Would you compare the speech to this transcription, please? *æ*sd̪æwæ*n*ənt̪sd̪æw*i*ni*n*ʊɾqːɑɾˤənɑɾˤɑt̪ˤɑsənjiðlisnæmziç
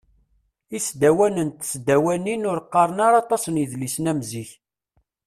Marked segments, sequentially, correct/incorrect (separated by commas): incorrect, correct, incorrect, correct